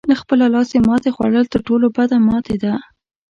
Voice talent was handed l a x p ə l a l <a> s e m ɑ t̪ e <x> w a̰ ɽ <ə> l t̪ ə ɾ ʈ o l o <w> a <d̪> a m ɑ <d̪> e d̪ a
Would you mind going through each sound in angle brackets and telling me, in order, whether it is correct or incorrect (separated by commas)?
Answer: incorrect, correct, correct, incorrect, correct, incorrect